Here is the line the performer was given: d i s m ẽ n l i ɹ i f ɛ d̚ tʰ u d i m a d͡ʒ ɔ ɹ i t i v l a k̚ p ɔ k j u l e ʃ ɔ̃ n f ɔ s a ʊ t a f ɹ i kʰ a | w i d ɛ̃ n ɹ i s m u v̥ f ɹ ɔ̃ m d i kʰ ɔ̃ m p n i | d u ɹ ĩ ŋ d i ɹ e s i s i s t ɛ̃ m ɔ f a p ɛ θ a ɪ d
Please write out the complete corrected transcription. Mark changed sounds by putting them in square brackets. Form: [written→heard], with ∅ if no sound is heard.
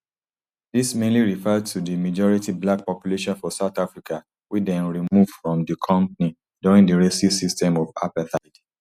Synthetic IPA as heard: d i s m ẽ n l i ɹ i f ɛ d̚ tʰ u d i m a d͡ʒ ɔ ɹ i t i [v→b] l a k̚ p ɔ [k→p] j u l e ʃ ɔ̃ n f ɔ s a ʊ t a f ɹ i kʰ a | w i d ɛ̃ n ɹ i [s→∅] m u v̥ f ɹ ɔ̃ m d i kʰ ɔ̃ m p n i | d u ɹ ĩ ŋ d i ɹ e s i s i s t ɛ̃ m ɔ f a p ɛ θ a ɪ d

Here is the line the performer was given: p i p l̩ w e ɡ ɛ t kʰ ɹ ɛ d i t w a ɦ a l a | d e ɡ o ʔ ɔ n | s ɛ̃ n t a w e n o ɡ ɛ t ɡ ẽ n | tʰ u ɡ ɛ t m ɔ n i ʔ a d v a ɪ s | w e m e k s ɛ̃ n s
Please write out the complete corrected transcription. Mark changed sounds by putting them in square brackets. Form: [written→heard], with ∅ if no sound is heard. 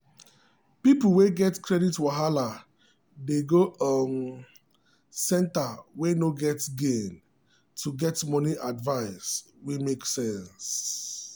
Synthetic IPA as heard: p i p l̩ w e ɡ ɛ t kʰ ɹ ɛ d i t w a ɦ a l a | d e ɡ o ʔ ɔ n | s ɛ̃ n t a w e n o ɡ ɛ t ɡ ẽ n | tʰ u ɡ ɛ t m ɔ n i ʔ a d v a ɪ s | w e m e k s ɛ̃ n s

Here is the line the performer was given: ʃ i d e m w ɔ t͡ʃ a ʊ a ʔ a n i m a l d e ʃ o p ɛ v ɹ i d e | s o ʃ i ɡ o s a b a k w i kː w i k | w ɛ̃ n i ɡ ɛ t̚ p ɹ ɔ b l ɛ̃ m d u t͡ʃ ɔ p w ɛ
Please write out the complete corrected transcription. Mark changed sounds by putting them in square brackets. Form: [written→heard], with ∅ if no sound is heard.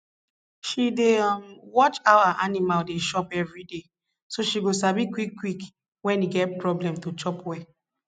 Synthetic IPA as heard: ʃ i d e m w ɔ t͡ʃ a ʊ a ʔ a n i m a l d e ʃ [o→ɔ] p ɛ v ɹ i d e | s o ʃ i ɡ o s a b [a→i] k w i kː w i k | w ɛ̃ n i ɡ ɛ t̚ p ɹ ɔ b l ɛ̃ m [d→t] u t͡ʃ ɔ p w ɛ

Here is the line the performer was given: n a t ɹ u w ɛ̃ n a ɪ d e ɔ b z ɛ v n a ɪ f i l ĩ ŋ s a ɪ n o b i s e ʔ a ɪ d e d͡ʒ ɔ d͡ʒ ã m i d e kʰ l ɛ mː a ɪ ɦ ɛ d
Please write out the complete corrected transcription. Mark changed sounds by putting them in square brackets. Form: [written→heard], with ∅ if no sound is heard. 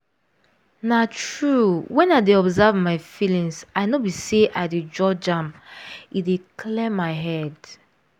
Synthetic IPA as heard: n a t ɹ u w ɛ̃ n a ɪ d e ɔ b z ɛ v [n→m] a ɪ f i l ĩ ŋ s a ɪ n o b i s e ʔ a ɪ d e d͡ʒ ɔ d͡ʒ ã m i d e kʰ l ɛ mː a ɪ ɦ ɛ d

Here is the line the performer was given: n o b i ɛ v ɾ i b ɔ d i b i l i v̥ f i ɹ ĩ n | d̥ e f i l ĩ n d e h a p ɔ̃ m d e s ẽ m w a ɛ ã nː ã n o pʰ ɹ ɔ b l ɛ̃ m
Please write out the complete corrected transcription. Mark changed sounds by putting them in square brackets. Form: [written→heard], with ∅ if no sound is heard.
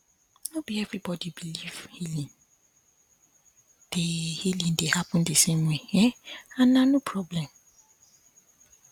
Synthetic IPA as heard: n o b i ɛ v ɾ i b ɔ d i b i l i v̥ [f→h] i [ɹ→l] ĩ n | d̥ e [f→h] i l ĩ n d e h a p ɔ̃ [m→n] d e s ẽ m w [a→e] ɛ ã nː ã n o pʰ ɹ ɔ b l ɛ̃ m

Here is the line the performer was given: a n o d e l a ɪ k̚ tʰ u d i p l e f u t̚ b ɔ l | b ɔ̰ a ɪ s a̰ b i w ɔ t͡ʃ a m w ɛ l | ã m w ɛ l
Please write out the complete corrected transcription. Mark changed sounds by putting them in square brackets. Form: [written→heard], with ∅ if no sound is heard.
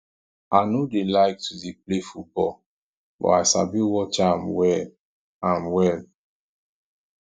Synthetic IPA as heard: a n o d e l a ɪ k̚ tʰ u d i p l e f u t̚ b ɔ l | b ɔ̰ a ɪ s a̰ b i w ɔ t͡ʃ a m w ɛ l | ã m w ɛ l

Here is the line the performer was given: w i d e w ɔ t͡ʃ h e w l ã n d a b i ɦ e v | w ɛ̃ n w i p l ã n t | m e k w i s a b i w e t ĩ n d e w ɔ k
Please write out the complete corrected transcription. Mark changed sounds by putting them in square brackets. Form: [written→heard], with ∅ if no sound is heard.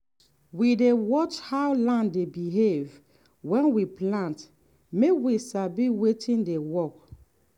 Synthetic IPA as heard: w i d e w ɔ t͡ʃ h [e→a] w l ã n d [a→e] b i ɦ e v | w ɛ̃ n w i p l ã n t | m e k w i s a b i w e t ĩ n d e w ɔ k

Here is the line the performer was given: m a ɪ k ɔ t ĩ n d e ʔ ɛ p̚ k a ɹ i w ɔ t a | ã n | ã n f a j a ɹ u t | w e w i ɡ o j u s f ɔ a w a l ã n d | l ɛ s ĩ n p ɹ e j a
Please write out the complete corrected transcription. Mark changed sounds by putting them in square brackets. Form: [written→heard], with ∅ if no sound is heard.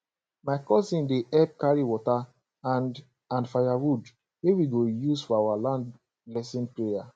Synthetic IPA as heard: m a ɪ k ɔ [t→s] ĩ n d e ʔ ɛ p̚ k a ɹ i w ɔ t a | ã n | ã n f a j a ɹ u [t→d] | w e w i ɡ o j u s f ɔ a w a l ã n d | l ɛ s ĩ n p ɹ e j a

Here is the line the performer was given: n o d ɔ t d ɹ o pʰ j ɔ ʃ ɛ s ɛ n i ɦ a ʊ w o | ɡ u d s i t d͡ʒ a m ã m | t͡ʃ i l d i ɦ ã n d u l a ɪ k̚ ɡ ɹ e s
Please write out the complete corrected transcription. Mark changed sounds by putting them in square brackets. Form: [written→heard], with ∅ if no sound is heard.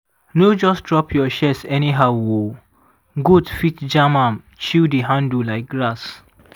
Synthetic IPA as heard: n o [d→d͡ʒ] ɔ [t→s] d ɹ [o→ɔ] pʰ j ɔ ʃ ɛ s ɛ n i ɦ a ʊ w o | ɡ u d [s→f] i t d͡ʒ a m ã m | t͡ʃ i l d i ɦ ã n d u l a ɪ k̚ ɡ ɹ [e→a] s

